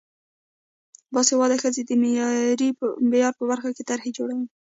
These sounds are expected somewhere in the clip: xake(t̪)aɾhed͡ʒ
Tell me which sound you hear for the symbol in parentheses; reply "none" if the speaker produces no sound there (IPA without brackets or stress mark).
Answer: t̪